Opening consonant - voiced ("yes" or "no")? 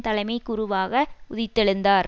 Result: no